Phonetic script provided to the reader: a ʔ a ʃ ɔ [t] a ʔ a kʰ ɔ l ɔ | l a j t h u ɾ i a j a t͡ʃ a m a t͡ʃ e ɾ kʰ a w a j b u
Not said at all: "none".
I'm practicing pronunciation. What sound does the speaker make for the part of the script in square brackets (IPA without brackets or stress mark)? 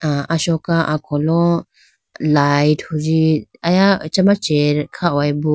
k